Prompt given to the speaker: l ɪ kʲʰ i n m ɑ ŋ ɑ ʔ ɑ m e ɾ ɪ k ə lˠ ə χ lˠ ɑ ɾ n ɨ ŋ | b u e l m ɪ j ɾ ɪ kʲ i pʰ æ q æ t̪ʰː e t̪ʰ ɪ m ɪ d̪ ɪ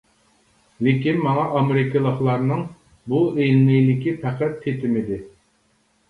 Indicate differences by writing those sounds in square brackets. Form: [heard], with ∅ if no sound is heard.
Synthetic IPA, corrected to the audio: l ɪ [kʲ] i n m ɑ ŋ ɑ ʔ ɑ m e ɾ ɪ k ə lˠ ə χ lˠ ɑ ɾ n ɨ ŋ | b u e l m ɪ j [l] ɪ kʲ i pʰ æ q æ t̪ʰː e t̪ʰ ɪ m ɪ d̪ ɪ